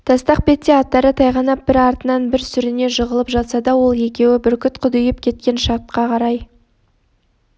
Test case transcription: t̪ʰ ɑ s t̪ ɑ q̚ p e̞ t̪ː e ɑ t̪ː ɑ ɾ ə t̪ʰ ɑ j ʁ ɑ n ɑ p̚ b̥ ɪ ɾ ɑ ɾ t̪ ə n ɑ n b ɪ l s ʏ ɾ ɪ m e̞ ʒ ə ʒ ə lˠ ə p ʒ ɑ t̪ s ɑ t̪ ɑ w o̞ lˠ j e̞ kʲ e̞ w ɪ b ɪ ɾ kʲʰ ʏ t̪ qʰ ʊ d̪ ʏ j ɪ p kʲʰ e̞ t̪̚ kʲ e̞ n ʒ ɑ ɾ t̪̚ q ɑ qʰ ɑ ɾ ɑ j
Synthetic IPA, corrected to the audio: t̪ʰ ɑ s t̪ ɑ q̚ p e̞ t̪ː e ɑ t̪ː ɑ ɾ ə t̪ʰ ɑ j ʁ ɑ n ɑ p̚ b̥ ɪ ɾ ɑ ɾ t̪ ə n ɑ n b ɪ ɾ s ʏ ɾ ɪ n e̞ ʒ ə ʁ ə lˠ ə p ʒ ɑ t̪ s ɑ d̪ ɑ w o̞ lˠ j e̞ kʲ e̞ w ɪ b ɪ ɾ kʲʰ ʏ t̪ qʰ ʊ d̪ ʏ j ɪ p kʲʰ e̞ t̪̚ kʲ e̞ n ʃ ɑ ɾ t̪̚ q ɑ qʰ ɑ ɾ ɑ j